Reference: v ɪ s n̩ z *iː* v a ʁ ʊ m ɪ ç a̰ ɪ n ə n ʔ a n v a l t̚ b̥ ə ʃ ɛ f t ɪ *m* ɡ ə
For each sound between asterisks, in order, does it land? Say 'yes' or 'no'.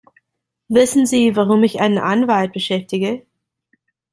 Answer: yes, no

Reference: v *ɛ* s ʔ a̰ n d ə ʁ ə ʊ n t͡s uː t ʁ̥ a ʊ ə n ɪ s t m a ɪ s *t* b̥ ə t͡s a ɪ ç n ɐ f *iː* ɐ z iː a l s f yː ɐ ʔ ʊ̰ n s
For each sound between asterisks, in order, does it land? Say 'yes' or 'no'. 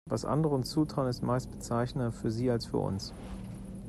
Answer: no, yes, no

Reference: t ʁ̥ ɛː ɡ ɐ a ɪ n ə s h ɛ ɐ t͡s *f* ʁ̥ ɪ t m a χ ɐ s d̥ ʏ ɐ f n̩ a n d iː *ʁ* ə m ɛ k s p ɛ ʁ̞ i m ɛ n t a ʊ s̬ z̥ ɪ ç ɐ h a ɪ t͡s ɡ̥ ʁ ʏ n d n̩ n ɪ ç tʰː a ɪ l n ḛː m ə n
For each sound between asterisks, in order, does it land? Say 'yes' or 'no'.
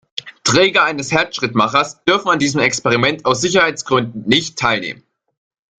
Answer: no, no

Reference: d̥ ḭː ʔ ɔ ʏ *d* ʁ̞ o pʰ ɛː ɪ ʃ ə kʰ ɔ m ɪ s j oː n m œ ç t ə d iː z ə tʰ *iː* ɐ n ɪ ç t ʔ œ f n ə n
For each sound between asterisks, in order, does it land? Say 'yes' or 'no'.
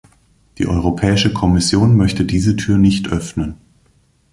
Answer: no, no

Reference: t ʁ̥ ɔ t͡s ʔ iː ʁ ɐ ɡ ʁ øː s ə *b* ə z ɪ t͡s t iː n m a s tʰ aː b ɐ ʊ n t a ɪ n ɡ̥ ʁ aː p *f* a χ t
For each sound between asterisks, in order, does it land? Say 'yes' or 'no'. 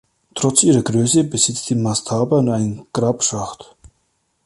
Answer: yes, no

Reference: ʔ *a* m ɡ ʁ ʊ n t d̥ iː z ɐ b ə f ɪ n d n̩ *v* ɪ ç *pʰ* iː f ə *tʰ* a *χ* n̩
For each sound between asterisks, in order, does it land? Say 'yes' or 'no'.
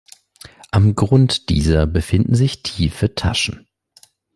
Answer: yes, no, no, yes, no

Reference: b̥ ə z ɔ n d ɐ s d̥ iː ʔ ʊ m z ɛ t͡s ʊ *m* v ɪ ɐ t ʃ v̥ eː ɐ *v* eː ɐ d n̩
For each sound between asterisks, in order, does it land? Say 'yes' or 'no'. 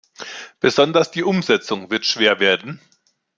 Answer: no, yes

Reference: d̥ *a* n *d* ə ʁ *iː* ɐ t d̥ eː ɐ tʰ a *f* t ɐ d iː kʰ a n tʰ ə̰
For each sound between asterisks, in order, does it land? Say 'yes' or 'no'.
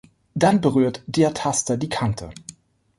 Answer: yes, no, no, no

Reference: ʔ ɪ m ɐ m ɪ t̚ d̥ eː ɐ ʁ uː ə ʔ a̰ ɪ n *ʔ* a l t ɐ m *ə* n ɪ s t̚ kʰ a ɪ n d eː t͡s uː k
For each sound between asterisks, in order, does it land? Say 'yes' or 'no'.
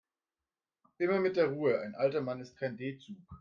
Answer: yes, no

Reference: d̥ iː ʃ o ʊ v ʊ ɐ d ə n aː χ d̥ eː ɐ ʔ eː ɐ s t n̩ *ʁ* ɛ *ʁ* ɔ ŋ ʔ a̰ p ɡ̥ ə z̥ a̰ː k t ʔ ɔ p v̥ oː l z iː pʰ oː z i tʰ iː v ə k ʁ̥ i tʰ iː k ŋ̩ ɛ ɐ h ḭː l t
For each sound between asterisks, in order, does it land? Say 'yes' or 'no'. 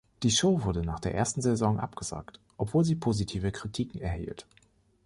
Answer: no, no

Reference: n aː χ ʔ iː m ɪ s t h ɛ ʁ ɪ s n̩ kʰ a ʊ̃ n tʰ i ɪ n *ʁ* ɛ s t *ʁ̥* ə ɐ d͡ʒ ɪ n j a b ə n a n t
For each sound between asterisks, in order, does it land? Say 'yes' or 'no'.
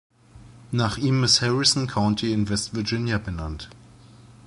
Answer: no, no

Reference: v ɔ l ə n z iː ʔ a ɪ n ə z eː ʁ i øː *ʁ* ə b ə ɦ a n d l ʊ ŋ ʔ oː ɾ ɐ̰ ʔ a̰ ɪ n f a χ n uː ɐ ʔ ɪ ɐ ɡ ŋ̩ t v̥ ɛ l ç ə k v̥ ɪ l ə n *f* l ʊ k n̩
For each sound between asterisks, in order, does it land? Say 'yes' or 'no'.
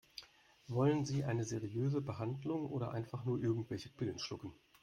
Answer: no, no

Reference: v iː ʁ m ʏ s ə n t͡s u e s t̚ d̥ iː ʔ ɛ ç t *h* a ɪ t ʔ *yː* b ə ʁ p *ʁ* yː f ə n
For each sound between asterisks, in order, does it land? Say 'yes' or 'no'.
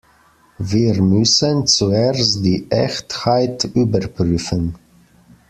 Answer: yes, yes, yes

